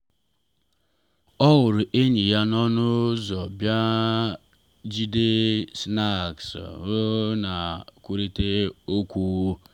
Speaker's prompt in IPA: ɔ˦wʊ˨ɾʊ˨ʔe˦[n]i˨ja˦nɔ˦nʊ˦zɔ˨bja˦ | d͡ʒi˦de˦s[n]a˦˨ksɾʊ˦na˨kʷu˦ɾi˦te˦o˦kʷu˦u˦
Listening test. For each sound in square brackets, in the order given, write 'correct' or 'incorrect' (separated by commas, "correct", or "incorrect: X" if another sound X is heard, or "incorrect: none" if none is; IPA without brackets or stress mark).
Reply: incorrect: ɲ, correct